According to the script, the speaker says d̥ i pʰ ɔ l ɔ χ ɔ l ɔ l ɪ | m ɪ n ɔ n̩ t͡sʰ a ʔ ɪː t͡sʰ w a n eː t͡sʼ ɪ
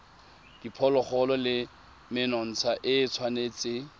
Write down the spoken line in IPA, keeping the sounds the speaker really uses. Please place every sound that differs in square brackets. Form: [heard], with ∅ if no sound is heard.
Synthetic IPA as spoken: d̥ i pʰ ɔ l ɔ χ ɔ l ɔ l ɪ | m ɪ n ɔ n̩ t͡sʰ a ʔ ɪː t͡sʰ w a n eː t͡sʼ ɪ

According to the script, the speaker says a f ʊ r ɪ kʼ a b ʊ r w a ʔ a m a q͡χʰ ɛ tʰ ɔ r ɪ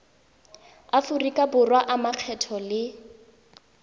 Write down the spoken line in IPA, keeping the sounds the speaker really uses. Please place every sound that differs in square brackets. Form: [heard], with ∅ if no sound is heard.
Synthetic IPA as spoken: a f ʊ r [i] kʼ a b ʊ r w a ʔ a m a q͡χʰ ɛ tʰ ɔ [l] ɪ

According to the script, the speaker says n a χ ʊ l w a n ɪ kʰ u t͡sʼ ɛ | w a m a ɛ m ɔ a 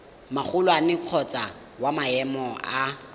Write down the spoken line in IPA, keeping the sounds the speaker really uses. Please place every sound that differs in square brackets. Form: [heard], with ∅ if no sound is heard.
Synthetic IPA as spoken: [m] a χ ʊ l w a n ɪ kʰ [ɔ] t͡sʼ [a] | w a m a ɛ m ɔ a

